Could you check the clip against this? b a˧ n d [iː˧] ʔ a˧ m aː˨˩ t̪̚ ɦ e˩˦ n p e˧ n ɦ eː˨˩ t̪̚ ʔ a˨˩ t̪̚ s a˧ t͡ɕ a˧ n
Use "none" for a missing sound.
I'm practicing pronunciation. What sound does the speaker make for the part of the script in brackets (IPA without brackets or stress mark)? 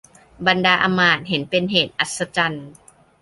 aː˧